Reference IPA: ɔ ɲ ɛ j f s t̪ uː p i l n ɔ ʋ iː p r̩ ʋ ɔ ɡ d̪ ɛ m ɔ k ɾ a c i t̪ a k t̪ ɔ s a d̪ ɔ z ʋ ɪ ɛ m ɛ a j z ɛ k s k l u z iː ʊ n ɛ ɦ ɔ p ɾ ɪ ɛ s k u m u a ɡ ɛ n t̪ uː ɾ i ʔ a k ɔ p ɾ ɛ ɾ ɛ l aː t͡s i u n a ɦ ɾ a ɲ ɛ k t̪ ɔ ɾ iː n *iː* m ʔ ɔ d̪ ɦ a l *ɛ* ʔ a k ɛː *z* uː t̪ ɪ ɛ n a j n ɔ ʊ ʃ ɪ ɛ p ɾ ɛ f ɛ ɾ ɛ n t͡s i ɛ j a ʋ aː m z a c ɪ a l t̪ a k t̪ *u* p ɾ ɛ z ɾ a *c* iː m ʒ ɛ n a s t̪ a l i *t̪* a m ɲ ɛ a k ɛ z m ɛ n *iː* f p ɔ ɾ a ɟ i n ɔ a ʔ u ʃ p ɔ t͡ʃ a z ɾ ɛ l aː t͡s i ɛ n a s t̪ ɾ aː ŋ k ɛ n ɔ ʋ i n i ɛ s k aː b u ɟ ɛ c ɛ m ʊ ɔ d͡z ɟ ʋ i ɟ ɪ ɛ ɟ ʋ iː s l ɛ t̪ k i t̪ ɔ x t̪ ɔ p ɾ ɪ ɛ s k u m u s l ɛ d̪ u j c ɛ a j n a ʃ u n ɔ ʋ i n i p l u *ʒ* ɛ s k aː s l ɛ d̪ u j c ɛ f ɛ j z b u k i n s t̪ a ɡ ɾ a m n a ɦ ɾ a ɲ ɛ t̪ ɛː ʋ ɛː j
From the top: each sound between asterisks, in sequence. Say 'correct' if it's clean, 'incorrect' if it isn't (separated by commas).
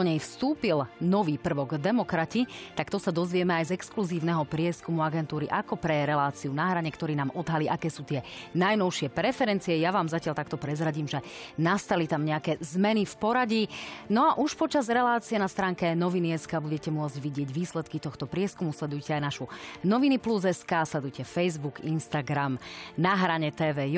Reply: incorrect, incorrect, incorrect, incorrect, incorrect, correct, incorrect, incorrect